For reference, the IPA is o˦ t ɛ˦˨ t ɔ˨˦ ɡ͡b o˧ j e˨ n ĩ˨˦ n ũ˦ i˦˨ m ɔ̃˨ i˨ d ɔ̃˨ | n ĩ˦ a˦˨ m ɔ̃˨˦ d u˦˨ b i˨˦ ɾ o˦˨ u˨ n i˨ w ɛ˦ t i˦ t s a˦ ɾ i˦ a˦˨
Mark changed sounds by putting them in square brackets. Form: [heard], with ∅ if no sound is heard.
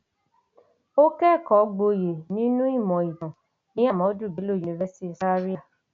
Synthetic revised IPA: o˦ [k] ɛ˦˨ [k] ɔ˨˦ ɡ͡b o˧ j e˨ n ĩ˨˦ n ũ˦ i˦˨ m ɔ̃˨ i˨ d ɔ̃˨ | n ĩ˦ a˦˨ m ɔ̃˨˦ d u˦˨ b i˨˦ [l] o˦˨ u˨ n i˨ [v] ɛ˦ [s] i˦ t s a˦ ɾ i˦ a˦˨